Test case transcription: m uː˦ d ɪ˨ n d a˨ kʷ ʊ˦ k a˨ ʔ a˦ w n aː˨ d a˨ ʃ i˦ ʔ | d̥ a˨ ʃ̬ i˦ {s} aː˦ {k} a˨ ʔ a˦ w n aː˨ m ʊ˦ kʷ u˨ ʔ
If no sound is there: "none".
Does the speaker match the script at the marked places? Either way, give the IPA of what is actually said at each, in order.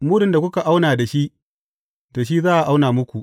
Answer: z, ʔ

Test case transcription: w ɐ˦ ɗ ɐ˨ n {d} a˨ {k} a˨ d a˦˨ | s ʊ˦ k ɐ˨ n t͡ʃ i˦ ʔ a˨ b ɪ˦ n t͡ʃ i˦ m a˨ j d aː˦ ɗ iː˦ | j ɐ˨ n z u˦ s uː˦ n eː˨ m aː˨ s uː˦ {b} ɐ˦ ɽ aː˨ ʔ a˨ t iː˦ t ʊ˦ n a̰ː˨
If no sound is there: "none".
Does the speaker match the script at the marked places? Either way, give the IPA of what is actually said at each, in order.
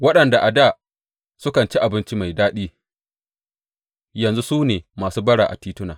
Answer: d, ʔ, b

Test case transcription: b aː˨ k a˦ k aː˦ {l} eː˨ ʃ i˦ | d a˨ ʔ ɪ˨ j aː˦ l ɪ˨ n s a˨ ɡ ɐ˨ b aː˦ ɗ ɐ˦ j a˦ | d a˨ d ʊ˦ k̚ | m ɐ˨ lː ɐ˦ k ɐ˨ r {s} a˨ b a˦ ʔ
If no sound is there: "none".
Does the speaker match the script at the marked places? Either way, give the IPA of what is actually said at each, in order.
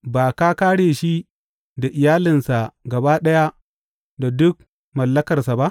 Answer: ɽ, s

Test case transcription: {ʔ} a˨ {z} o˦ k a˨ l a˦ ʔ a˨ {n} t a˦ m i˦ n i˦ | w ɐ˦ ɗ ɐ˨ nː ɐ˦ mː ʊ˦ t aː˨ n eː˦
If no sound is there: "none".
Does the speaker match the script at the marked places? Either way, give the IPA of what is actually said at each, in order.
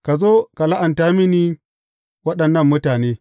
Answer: k, z, n

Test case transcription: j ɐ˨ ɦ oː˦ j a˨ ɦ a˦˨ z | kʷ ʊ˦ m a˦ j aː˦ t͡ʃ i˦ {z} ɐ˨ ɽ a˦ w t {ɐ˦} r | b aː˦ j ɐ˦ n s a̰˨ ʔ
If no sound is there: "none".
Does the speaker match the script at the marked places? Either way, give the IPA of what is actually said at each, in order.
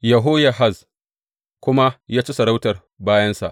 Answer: s, ɐ˨

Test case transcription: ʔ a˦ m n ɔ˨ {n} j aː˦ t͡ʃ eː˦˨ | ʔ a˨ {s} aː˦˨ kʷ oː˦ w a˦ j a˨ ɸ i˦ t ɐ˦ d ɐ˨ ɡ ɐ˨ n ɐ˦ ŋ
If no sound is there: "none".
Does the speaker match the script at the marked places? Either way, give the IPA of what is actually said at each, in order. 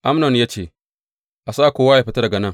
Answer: n, s

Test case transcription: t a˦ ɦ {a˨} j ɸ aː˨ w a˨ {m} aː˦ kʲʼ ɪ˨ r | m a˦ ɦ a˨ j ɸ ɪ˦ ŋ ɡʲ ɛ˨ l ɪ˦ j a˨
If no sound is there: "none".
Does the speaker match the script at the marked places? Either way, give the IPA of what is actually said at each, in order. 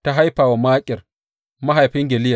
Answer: a˦, m

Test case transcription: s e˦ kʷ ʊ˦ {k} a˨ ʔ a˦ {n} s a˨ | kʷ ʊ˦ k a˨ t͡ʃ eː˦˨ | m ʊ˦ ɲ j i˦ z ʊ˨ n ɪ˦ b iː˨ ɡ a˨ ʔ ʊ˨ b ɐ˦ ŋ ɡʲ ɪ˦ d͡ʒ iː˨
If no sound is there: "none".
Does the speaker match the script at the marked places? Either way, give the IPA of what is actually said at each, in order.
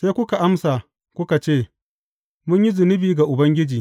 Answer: k, m

